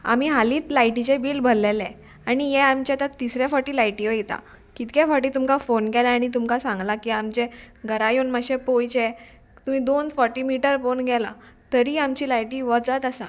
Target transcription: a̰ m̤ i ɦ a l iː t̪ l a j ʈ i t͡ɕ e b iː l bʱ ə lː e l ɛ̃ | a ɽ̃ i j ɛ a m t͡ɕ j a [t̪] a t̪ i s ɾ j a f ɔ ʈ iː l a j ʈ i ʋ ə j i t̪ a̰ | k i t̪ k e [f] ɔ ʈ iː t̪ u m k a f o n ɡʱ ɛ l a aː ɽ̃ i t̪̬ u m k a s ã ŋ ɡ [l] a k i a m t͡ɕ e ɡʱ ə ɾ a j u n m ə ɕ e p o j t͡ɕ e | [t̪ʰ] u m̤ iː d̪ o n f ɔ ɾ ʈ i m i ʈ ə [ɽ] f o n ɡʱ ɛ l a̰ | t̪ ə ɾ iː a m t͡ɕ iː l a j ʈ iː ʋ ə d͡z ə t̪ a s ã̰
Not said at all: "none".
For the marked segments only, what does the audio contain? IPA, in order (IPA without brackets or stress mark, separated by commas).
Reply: t̪, f, l, t̪, ɾ